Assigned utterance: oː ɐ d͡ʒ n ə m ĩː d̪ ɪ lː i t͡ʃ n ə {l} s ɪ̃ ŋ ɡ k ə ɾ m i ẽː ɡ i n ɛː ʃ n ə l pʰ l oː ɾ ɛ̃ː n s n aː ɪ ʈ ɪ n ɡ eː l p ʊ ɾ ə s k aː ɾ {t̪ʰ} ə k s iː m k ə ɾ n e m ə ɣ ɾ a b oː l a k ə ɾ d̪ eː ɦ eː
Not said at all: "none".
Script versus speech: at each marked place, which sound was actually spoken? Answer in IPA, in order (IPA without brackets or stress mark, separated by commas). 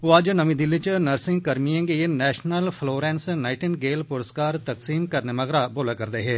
ɾ, t̪